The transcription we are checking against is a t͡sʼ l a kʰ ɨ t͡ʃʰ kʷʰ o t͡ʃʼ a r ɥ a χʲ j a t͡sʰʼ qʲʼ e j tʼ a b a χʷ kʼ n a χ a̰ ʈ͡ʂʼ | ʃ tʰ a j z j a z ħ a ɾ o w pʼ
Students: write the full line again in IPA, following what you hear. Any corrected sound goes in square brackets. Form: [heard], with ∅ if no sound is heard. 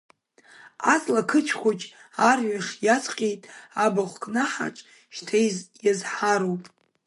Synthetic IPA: a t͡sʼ l a kʰ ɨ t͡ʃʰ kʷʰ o t͡ʃʼ a r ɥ a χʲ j a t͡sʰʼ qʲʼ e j tʼ a b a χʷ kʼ n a [ħ] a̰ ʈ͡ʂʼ | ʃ tʰ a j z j a z ħ a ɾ o w pʼ